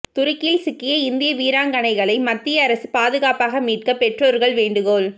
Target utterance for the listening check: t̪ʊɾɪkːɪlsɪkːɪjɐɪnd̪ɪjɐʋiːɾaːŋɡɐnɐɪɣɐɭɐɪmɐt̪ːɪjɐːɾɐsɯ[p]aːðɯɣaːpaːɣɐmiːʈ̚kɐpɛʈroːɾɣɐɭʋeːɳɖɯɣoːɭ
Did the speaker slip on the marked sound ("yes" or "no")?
no